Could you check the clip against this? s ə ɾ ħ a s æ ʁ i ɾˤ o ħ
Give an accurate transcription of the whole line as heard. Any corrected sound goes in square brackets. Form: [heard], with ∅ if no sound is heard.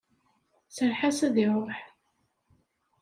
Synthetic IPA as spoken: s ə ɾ ħ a s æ [ð] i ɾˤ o ħ